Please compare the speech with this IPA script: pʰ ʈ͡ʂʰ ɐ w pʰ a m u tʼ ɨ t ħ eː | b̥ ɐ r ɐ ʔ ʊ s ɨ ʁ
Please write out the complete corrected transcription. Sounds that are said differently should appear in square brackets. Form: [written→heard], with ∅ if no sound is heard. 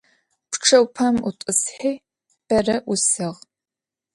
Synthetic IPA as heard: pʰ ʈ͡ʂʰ ɐ w pʰ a m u tʼ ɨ [t→s] ħ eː | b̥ ɐ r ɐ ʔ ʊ s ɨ ʁ